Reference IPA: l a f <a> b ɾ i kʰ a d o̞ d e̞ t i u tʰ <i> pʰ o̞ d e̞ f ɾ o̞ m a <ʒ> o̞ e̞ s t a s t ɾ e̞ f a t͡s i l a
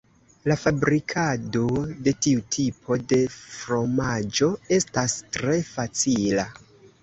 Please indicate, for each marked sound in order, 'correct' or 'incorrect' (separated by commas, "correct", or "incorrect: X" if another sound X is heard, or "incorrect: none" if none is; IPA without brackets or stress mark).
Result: correct, correct, incorrect: d͡ʒ